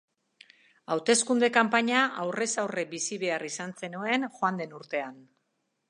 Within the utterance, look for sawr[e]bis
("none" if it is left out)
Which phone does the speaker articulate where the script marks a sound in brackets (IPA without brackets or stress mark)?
e